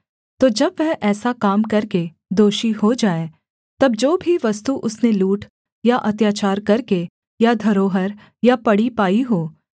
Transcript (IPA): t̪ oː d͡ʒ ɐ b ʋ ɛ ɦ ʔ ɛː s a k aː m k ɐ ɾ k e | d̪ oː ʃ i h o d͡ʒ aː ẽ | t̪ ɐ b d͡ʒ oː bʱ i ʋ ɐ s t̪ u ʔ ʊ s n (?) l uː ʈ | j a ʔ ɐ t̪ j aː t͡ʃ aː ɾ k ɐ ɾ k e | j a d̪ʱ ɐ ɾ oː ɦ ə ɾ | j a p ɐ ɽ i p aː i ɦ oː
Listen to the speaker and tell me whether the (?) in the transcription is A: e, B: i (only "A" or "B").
A